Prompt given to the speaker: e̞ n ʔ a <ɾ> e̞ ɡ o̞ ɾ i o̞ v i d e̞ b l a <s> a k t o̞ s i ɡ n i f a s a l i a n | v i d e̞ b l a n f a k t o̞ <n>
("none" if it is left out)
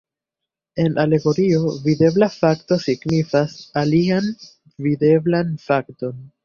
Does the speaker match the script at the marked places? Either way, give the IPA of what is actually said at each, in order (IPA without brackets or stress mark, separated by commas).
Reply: l, f, n